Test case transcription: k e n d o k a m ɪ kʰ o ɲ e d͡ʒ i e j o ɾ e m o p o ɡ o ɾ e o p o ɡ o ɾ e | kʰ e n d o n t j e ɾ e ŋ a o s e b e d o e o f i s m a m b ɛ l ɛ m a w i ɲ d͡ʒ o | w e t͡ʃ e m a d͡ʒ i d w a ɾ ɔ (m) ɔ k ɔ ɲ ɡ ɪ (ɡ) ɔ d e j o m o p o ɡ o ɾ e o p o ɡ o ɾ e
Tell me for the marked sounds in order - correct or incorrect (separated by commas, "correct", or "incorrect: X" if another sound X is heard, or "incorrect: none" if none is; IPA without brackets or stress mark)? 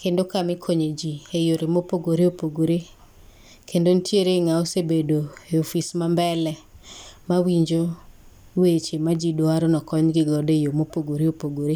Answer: incorrect: n, correct